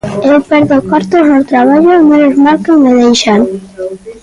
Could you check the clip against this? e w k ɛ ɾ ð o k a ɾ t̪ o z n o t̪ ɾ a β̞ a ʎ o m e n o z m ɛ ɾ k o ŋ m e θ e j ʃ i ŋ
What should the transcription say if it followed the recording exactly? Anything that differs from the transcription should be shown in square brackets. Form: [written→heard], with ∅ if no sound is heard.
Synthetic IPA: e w [k→p] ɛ ɾ ð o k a ɾ t̪ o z n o t̪ ɾ a β̞ a ʎ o m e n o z m [ɛ→a] ɾ k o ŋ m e [θ→ð] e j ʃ [i→a] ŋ